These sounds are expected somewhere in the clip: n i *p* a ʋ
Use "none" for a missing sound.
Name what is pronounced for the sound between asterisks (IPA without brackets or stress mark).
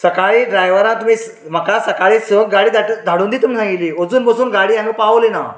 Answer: p